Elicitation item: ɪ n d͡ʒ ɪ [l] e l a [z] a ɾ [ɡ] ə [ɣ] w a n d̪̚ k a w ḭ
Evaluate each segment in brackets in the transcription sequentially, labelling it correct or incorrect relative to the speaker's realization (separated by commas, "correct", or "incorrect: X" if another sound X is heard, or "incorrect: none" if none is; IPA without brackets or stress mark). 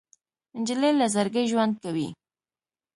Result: correct, correct, correct, incorrect: ʒ